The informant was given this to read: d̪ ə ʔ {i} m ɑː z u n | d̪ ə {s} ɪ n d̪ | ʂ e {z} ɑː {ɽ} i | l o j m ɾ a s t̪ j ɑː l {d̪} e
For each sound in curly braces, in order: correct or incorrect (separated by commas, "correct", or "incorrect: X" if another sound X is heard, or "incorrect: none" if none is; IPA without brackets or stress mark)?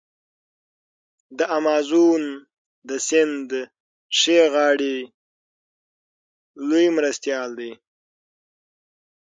incorrect: a, correct, incorrect: ɣ, correct, correct